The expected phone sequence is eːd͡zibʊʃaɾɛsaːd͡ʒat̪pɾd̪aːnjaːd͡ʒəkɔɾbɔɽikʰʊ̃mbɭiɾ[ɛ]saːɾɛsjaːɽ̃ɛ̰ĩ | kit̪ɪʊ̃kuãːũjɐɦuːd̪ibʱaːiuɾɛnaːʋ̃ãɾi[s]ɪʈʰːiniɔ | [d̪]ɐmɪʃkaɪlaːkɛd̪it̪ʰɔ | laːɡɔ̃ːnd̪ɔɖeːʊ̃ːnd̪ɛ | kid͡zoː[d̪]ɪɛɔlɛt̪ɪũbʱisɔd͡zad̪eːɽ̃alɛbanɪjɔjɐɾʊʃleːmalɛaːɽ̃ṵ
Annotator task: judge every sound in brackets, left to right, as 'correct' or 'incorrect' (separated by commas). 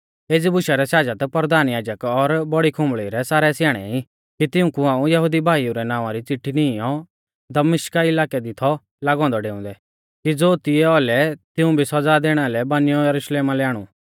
correct, incorrect, correct, incorrect